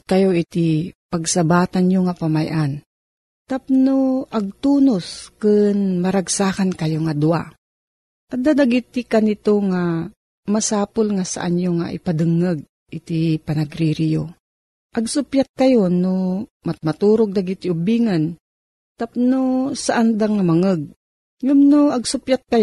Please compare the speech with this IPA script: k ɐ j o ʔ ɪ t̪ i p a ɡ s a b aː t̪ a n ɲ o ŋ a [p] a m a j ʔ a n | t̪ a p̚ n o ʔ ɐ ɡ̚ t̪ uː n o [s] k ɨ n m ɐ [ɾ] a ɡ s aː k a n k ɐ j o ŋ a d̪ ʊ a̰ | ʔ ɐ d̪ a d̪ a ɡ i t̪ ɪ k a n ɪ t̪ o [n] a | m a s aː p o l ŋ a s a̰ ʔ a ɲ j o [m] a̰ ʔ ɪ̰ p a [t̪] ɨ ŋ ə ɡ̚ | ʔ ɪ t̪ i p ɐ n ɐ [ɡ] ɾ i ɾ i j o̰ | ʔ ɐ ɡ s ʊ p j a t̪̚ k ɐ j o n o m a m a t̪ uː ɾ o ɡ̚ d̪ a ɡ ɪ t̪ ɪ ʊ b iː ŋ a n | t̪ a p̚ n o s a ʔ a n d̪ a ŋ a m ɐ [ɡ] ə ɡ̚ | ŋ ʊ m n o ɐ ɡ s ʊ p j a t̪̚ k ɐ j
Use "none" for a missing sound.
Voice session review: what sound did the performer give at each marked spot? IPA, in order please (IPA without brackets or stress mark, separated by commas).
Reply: p, s, ɾ, ŋ, ŋ, d̪, ɡ, ŋ